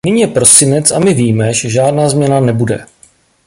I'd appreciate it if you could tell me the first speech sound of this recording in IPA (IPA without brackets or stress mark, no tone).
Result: n